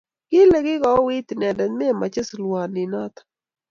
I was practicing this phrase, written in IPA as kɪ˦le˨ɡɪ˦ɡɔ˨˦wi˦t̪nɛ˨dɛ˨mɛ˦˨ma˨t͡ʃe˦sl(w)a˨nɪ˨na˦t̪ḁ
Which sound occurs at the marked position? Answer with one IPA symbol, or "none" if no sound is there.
w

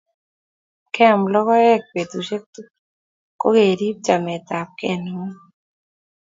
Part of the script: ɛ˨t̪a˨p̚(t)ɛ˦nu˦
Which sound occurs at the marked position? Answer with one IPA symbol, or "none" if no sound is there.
k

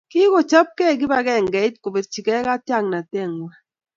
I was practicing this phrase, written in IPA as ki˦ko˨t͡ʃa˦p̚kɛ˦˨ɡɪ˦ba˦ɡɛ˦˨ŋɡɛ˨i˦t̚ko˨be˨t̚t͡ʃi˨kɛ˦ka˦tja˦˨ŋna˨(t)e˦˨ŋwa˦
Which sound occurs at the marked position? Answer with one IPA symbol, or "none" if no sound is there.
t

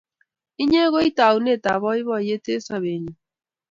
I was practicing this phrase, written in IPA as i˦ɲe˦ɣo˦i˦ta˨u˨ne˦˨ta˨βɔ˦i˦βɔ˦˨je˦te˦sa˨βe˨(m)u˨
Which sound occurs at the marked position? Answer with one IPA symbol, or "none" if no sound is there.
ɲ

